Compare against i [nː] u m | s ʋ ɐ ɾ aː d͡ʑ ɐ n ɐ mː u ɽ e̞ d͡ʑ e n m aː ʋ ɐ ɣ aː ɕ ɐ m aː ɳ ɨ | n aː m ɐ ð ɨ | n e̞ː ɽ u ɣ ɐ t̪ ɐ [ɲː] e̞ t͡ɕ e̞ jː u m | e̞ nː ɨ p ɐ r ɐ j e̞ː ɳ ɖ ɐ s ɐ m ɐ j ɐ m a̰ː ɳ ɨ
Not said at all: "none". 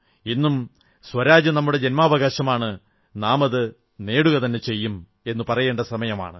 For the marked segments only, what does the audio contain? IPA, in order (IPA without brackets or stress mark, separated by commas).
nː, nː